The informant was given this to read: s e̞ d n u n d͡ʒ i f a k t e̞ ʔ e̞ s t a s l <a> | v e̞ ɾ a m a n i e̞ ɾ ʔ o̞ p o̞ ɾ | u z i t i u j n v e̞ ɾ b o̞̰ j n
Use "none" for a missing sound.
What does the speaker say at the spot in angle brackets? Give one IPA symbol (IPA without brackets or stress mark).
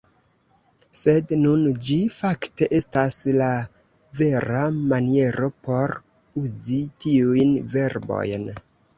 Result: a